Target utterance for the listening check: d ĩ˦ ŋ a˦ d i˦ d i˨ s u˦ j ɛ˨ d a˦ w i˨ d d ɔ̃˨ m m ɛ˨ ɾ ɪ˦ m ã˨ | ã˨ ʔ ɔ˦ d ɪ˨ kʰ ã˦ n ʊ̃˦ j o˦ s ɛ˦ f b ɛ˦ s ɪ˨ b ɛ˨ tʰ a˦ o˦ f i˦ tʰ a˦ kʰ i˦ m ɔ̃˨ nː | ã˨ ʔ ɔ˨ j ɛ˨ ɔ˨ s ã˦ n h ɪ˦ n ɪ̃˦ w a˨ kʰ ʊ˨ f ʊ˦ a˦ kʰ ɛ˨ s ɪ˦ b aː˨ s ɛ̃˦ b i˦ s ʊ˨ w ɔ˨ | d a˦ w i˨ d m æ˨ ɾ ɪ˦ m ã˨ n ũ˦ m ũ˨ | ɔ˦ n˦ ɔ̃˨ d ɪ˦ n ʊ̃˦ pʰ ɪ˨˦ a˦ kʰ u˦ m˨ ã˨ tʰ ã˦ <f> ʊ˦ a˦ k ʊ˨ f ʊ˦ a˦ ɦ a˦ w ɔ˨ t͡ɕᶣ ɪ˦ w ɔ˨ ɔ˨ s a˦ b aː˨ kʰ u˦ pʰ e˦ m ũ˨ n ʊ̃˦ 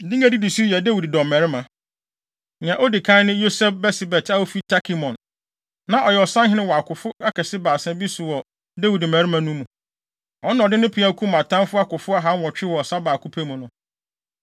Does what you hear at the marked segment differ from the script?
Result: no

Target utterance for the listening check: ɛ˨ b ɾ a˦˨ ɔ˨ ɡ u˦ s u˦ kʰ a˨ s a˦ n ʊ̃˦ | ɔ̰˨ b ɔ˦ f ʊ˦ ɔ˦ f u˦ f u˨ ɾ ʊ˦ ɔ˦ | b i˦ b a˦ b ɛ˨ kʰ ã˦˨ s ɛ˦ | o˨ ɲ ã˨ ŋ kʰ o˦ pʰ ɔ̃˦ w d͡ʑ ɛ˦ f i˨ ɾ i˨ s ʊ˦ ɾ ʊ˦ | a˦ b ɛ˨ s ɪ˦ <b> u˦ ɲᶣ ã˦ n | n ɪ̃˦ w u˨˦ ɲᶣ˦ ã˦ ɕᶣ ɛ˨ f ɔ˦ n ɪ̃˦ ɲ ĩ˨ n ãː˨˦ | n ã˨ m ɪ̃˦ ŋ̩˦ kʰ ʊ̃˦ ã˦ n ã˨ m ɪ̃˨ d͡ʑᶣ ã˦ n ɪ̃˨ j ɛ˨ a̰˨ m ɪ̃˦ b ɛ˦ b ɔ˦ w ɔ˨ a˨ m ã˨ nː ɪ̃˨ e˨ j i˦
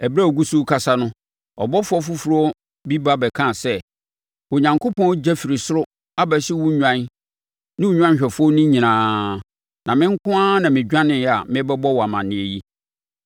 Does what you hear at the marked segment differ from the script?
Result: yes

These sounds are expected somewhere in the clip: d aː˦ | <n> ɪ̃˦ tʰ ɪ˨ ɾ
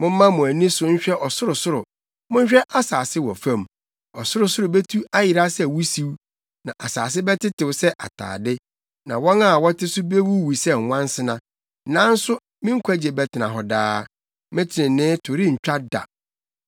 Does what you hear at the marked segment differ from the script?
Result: yes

